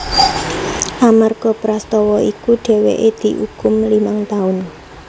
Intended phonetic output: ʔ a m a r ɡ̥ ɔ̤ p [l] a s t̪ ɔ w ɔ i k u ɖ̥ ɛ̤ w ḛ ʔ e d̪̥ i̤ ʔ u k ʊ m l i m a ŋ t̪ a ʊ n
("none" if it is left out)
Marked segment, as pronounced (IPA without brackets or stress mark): ɾ